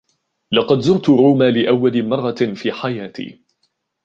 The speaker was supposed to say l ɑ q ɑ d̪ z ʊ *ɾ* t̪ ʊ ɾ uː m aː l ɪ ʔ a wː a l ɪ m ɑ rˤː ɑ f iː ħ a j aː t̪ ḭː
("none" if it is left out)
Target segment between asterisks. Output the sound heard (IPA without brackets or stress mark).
ɾ